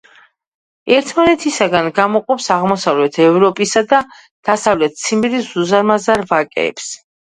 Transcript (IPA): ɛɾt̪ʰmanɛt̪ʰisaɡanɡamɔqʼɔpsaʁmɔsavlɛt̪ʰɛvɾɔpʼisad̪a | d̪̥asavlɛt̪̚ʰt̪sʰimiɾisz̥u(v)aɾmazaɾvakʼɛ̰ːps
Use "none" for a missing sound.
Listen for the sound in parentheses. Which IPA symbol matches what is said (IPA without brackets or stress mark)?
z